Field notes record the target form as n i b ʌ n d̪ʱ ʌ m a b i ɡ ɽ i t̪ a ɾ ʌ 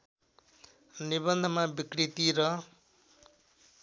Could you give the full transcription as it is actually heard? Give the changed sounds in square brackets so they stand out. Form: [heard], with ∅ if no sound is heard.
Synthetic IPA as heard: n i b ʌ n d̪ʱ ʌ m a b i [k] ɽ i t̪ [i] ɾ ʌ